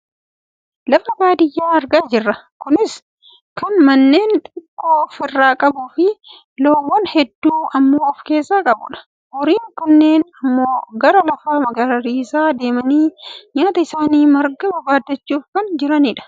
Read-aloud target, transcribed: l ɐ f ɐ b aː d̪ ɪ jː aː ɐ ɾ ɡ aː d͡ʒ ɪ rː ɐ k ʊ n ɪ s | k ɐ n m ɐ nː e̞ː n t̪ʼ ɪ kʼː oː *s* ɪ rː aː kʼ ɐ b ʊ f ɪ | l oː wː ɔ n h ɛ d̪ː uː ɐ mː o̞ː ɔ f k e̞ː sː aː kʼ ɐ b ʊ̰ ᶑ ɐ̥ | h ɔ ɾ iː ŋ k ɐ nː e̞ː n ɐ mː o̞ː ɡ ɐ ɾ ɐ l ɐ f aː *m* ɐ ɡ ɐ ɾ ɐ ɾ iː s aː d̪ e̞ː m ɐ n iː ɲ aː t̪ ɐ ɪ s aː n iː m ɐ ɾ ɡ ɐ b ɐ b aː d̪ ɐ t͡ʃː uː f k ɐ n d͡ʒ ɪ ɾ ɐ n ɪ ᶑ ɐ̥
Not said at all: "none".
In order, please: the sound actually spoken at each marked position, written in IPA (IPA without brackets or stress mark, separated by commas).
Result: f, m